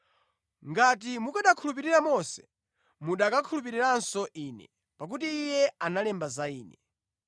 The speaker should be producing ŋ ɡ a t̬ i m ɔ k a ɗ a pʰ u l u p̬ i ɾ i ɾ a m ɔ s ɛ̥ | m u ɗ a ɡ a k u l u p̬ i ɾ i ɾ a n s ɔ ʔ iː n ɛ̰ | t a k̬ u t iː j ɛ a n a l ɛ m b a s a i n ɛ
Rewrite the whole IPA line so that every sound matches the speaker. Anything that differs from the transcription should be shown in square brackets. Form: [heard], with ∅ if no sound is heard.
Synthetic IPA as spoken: ŋ ɡ a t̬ i m [u] k a ɗ a [kʰ] u l u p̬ i ɾ i ɾ a m ɔ s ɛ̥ | m u ɗ a [k] a [kʰ] u l u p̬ i ɾ i ɾ a n s ɔ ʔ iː n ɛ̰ | [p] a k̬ u t iː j ɛ a n a l ɛ m b a [z] a [iː] n ɛ